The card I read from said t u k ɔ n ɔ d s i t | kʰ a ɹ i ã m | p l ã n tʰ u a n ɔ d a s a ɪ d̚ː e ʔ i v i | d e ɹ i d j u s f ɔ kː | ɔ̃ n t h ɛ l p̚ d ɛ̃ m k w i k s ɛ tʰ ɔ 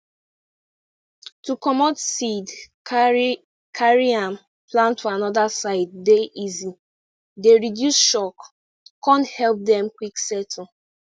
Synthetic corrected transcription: t u k ɔ m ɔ d s i d | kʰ a ɹ i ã m | p l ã n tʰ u a n ɔ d a s a ɪ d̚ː e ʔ i z i | d e ɹ i d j u s ʃ ɔ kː | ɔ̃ n t h ɛ l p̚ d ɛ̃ m k w i k s ɛ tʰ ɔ